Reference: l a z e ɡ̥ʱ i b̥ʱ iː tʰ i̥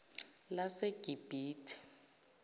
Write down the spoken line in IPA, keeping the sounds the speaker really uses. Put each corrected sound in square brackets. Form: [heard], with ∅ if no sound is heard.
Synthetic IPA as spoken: l a [s] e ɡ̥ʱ i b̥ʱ iː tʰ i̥